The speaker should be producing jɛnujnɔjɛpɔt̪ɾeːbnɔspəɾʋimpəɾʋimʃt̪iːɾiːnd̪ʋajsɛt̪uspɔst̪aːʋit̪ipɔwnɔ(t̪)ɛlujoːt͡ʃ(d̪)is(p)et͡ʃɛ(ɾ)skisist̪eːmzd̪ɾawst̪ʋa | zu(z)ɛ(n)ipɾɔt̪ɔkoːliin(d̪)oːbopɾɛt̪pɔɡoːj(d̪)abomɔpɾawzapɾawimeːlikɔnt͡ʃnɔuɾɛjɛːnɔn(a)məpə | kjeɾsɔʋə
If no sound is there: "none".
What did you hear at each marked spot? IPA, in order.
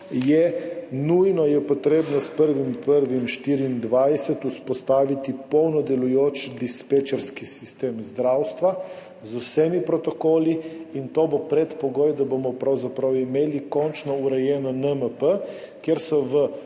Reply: d̪, d̪, p, ɾ, s, m, t̪, d̪, ə

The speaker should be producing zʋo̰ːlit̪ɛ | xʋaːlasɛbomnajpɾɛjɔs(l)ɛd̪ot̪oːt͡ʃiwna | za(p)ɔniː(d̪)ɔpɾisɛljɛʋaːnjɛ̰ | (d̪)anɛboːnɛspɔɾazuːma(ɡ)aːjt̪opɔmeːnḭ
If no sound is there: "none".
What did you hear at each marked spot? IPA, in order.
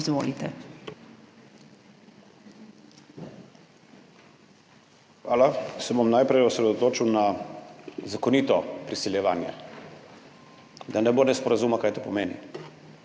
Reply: ɾ, k, t̪, d̪, k

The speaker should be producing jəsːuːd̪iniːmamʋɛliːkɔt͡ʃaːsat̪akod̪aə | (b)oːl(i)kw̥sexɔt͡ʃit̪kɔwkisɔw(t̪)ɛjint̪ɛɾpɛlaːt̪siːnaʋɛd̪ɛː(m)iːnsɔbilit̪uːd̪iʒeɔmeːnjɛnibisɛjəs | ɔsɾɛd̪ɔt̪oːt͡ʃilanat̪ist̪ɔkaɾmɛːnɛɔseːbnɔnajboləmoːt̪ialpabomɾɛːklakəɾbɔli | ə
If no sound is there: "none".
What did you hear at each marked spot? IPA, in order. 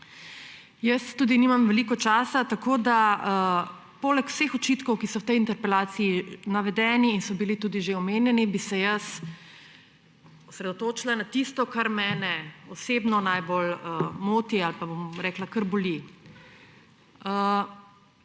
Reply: p, ɛ, t̪, n

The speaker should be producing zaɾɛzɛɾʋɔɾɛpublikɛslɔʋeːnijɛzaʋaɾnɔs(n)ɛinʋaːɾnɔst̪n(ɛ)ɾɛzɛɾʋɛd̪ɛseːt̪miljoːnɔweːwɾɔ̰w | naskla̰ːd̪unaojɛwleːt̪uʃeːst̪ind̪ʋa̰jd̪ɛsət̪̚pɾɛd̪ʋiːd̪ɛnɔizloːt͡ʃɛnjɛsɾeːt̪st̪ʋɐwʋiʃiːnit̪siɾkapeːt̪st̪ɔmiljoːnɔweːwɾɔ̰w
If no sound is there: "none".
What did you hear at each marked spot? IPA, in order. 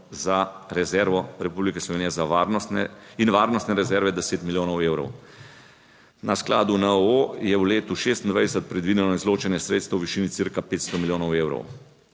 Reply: n, ɛ

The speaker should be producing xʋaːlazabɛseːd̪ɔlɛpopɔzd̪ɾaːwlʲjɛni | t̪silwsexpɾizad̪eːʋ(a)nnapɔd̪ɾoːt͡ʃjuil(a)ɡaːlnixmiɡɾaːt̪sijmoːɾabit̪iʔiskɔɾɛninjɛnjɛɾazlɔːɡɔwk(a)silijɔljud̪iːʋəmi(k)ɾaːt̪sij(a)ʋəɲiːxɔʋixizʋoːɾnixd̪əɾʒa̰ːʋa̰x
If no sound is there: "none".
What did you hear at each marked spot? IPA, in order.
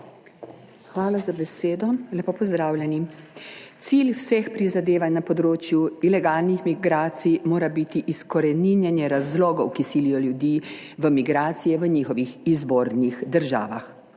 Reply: a, ɛ, i, ɡ, ɛ

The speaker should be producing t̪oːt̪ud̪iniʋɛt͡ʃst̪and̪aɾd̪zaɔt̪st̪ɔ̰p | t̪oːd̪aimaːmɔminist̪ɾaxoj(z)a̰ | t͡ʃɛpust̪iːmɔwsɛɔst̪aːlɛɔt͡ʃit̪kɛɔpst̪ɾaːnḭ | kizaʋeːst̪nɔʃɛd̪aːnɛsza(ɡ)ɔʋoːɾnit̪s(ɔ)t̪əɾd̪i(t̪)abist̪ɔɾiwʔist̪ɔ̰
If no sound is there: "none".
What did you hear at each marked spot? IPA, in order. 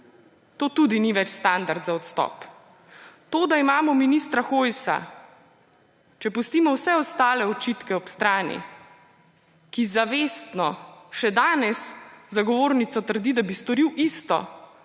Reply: s, ɡ, ɔ, d̪

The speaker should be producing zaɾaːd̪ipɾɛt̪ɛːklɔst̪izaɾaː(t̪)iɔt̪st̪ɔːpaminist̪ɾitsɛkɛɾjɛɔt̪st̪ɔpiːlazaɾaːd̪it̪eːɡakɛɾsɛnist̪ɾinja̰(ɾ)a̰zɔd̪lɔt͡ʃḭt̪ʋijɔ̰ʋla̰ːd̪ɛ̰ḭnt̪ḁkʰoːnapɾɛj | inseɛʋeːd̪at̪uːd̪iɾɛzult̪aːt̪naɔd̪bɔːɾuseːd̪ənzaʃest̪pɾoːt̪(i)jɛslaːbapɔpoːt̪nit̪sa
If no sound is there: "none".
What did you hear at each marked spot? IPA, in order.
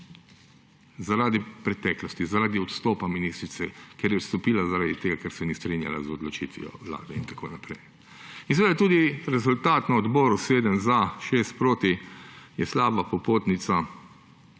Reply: d̪, l, i

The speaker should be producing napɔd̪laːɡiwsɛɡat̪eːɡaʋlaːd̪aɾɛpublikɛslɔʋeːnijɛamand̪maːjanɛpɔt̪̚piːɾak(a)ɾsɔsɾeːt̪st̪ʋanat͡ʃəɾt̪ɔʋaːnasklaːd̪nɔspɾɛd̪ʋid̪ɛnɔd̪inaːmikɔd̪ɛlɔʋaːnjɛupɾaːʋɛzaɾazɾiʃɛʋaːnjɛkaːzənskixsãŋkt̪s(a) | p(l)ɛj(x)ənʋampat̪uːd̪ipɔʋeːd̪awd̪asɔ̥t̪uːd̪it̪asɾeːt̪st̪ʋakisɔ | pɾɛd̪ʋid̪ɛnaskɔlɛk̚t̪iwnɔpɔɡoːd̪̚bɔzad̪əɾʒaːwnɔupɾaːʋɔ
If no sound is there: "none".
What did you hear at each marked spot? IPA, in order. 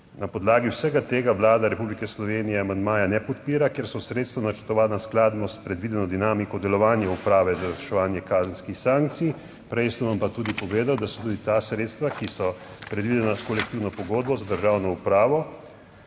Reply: e, i, ɾ, s

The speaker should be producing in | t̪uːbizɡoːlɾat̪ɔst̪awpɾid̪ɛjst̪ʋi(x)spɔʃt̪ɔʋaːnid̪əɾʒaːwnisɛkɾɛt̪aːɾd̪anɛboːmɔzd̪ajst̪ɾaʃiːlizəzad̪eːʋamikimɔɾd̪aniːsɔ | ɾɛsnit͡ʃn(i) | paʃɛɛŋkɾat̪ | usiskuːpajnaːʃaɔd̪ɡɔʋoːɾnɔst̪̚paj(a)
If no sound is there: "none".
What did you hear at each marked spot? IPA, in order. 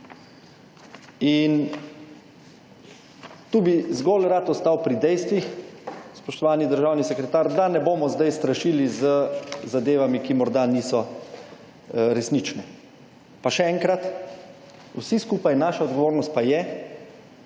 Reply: x, ɛ, ɛ

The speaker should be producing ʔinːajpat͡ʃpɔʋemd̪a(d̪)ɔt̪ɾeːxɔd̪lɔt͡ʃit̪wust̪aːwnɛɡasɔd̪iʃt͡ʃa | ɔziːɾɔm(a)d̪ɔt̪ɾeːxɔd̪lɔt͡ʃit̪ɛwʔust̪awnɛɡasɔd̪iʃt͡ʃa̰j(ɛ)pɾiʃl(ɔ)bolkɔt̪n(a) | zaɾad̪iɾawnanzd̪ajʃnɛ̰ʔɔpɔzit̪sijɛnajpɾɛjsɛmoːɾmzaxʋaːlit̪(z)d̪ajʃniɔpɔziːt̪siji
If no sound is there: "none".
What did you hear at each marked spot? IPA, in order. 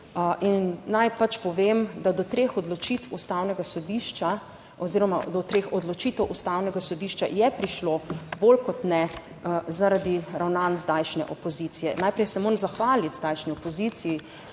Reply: d̪, a, ɛ, o, ɛ, z

